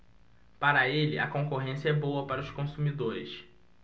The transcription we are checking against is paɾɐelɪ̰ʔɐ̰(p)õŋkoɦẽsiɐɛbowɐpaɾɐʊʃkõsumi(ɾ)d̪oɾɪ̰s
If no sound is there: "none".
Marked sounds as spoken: k, none

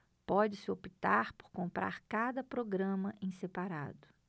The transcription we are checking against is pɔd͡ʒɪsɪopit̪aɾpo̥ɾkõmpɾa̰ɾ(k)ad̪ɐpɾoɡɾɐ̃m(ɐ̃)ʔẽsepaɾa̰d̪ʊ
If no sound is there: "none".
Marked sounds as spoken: k, ɐ

